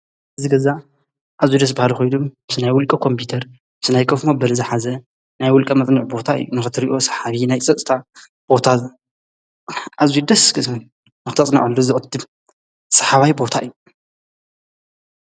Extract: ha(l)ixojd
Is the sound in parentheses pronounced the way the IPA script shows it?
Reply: yes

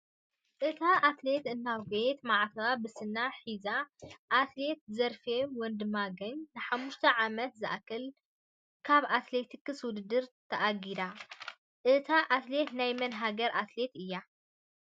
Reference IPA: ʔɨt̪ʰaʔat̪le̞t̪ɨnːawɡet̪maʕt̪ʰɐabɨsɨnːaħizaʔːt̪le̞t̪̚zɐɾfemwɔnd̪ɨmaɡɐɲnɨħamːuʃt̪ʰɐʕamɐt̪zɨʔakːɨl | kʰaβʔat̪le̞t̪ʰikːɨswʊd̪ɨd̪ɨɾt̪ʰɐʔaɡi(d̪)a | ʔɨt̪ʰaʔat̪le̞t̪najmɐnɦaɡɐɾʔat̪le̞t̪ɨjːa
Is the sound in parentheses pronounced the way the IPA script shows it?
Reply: yes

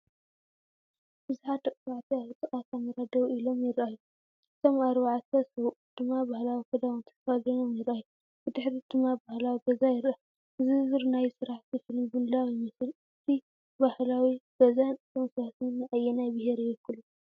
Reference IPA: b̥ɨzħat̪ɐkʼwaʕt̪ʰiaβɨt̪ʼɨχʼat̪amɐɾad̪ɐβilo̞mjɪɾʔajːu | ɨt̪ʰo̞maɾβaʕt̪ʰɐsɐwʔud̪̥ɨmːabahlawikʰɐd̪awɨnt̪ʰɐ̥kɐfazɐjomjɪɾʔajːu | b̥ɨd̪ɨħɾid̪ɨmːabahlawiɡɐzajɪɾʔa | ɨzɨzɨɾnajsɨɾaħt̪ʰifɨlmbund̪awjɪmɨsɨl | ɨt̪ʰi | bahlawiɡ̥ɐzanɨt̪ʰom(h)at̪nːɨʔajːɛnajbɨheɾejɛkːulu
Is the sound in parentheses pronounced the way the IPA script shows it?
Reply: no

